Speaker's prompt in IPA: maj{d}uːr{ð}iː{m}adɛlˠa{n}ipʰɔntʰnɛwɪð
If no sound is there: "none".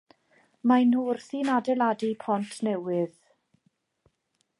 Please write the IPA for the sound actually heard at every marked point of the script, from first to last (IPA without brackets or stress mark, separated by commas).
n, θ, n, d